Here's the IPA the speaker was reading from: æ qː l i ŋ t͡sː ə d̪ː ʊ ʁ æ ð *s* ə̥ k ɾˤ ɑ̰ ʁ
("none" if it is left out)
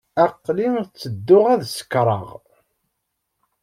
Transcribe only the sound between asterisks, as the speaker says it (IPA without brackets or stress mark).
s